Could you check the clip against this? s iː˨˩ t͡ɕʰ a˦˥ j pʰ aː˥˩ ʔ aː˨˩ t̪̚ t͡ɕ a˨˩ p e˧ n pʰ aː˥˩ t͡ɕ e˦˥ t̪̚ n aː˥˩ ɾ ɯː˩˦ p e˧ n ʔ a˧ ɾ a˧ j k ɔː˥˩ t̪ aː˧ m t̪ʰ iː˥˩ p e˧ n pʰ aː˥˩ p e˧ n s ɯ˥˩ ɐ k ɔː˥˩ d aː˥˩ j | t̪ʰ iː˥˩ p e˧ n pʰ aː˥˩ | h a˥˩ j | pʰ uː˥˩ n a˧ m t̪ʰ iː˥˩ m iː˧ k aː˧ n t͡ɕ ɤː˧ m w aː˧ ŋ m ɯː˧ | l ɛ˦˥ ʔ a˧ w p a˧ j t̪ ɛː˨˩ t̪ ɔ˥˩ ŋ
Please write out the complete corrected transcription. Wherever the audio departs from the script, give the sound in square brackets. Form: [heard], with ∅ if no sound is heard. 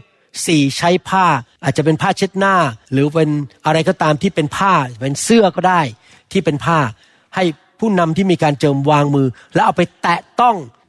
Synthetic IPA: s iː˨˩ t͡ɕʰ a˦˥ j pʰ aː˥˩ ʔ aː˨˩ t̪̚ t͡ɕ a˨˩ p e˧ n pʰ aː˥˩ [t͡ɕʰ] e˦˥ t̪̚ n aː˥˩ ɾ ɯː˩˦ p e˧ n ʔ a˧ ɾ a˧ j k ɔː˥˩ t̪ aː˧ m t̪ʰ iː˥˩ p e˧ n pʰ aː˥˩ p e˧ n s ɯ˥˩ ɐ k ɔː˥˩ d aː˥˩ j | t̪ʰ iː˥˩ p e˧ n pʰ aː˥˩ | h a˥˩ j | pʰ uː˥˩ n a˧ m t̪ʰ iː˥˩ m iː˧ k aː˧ n t͡ɕ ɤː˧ m w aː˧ ŋ m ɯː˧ | l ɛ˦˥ ʔ a˧ w p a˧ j t̪ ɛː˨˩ t̪ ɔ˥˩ ŋ